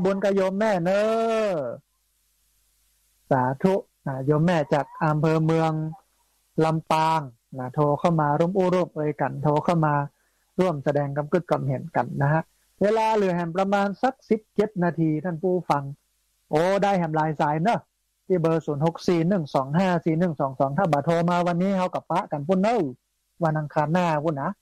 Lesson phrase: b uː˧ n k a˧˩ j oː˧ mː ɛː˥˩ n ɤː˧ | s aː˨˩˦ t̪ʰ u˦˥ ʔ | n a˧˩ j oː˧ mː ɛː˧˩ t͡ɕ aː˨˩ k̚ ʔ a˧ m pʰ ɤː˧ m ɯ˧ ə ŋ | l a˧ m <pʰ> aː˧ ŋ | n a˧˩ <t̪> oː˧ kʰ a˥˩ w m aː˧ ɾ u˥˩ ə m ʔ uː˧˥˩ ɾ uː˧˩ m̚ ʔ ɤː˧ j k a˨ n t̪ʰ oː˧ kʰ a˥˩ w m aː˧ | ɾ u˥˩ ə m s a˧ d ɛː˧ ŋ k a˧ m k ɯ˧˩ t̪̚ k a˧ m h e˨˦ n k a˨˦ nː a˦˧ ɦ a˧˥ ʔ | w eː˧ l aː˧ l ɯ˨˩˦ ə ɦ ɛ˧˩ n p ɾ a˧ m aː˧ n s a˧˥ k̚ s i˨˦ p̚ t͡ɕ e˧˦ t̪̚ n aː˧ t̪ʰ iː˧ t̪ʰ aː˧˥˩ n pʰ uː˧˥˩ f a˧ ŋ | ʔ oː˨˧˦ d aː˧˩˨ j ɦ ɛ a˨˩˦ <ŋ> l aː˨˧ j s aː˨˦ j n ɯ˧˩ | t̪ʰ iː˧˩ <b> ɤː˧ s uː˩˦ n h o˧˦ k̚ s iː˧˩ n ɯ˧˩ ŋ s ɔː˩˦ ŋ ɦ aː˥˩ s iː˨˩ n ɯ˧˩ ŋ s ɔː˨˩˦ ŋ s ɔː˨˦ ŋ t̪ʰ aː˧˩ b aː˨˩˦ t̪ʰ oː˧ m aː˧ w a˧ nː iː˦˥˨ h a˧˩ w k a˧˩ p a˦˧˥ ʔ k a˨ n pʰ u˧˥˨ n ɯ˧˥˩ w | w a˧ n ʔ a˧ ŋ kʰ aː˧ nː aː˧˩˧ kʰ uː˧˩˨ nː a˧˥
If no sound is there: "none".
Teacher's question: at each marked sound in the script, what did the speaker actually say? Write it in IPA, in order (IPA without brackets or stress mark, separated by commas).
p, t̪ʰ, m, b